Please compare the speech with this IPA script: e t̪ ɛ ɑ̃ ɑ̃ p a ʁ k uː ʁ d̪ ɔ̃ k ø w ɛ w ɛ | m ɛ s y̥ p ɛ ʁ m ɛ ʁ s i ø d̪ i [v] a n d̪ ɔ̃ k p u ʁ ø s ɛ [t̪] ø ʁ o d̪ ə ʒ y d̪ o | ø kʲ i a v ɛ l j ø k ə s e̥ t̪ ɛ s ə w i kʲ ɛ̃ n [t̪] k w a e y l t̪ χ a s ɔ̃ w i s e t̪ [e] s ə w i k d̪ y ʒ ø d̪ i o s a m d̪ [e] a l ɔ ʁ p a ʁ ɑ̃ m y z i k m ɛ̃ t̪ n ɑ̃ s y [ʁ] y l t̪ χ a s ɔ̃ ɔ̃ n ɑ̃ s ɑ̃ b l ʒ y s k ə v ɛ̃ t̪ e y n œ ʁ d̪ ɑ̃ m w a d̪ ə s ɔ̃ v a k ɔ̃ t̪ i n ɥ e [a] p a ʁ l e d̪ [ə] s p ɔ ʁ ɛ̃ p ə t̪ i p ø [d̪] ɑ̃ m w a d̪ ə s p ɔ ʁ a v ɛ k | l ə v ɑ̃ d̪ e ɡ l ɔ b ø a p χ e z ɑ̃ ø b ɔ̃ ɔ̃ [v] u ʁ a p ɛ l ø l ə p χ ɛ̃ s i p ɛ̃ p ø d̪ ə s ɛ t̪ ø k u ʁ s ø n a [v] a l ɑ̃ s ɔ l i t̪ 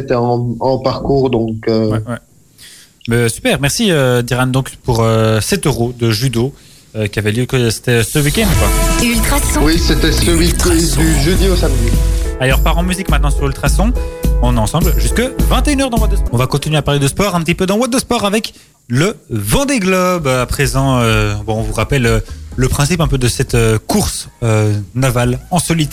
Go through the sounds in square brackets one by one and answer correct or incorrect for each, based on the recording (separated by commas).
incorrect, correct, incorrect, incorrect, incorrect, correct, correct, correct, correct, correct, correct